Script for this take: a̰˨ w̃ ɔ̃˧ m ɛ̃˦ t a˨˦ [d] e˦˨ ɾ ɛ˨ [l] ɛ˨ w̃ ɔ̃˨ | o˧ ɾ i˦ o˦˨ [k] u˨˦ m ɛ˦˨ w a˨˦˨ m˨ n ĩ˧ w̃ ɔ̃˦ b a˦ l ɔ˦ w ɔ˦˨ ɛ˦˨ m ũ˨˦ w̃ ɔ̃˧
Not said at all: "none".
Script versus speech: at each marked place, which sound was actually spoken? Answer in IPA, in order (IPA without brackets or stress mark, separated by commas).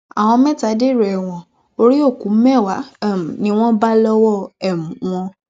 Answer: d, none, k